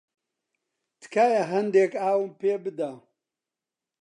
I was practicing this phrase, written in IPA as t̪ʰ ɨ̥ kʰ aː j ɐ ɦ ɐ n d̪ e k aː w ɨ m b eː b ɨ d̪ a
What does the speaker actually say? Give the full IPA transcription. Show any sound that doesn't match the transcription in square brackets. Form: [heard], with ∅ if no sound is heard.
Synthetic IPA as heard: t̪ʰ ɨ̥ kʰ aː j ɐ ɦ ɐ n d̪ e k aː w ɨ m [p] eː b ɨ d̪ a